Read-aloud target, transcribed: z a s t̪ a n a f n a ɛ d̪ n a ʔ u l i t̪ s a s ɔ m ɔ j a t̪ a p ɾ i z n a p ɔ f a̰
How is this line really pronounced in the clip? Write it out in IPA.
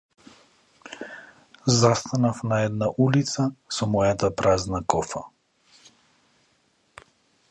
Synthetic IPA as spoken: z a s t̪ a n a f n a ɛ d̪ n a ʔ u l i t̪ s a s ɔ m ɔ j a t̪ a p ɾ a z n a k ɔ f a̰